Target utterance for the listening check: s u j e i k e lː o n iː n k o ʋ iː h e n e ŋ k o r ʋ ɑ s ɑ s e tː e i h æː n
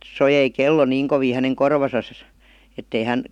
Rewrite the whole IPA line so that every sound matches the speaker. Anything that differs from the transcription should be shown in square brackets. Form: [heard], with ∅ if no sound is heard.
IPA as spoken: s [o] j e i k e lː o n iː [ŋ] k o ʋ iː h [æ] n e ŋ k o r ʋ ɑ s ɑ s e tː e i h [æ] n